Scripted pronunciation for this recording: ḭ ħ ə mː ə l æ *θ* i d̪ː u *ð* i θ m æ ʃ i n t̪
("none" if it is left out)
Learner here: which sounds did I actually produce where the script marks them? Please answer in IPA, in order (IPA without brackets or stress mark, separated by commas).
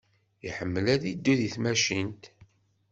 ð, ð